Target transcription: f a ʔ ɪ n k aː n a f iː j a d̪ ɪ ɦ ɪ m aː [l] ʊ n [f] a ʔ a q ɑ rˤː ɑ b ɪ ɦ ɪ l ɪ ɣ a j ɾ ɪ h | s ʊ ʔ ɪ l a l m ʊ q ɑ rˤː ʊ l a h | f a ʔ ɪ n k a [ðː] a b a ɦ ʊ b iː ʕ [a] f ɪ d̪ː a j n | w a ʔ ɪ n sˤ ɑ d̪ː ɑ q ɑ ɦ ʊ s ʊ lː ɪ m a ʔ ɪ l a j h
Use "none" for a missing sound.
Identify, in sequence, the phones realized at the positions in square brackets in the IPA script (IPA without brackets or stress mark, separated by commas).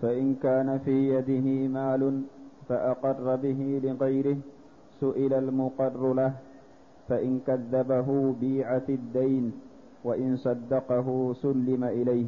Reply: l, f, ðː, a